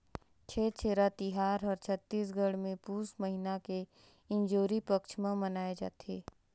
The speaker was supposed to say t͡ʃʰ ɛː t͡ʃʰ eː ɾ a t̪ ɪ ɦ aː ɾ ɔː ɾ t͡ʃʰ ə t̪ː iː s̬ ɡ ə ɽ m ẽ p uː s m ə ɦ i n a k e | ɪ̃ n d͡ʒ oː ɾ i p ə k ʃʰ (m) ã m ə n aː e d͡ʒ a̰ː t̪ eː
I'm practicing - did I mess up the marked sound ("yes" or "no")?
no